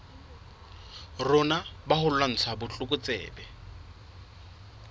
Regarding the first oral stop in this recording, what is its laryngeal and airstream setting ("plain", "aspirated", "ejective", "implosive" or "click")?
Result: plain